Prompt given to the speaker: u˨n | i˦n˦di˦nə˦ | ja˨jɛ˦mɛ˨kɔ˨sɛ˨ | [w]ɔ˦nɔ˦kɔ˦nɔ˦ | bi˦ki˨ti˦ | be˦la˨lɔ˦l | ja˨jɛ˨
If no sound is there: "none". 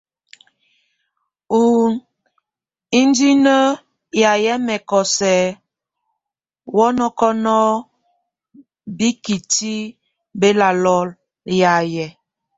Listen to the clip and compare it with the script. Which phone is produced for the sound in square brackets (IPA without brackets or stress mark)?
w